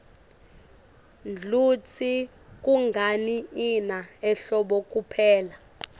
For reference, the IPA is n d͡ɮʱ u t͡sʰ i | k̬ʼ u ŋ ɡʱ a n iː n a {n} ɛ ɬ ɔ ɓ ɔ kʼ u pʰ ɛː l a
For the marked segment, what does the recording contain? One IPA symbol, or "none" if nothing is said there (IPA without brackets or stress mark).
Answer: none